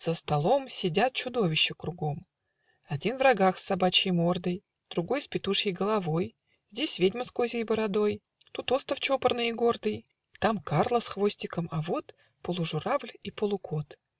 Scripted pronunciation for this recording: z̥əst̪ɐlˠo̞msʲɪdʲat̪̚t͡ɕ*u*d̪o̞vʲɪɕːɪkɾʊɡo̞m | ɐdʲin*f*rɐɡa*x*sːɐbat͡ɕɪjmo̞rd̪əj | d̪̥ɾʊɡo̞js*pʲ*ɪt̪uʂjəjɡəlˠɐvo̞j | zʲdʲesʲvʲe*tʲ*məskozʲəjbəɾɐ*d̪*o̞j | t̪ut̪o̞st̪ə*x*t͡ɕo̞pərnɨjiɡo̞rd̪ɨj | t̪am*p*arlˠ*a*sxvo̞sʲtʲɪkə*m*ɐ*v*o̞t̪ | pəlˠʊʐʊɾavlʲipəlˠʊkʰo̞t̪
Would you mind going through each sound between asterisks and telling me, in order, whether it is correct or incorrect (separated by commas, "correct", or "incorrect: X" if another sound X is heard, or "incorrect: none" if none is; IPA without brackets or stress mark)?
incorrect: ʊ, incorrect: v, correct, correct, incorrect: dʲ, correct, incorrect: f, incorrect: k, incorrect: ə, correct, correct